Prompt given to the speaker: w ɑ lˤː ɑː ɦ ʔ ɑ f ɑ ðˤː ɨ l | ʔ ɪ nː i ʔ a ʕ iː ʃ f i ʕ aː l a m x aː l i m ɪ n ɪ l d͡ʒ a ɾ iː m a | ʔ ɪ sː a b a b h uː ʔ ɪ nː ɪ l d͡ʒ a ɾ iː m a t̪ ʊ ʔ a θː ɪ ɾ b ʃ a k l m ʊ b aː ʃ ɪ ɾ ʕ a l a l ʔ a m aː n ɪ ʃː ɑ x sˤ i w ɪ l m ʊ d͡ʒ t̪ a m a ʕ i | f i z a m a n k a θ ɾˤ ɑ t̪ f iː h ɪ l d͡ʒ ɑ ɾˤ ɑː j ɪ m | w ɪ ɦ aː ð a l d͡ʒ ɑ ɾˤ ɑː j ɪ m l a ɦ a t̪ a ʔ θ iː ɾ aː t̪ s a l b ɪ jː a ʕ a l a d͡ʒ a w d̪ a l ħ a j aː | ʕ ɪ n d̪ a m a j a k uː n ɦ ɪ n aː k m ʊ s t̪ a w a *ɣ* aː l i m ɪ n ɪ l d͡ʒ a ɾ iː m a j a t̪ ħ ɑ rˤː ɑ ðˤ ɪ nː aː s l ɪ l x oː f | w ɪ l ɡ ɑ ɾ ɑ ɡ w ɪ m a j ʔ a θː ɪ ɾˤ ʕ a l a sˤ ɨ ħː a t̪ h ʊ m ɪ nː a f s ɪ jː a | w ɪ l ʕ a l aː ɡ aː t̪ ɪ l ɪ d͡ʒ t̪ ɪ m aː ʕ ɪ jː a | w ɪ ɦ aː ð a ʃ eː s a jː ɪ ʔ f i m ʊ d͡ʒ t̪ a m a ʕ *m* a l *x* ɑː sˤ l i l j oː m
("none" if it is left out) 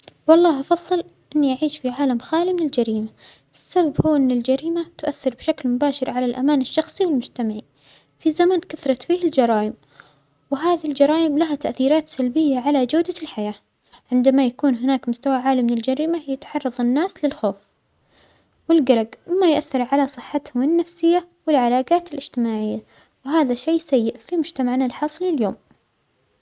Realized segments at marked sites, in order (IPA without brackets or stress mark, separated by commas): ʕ, n, ħ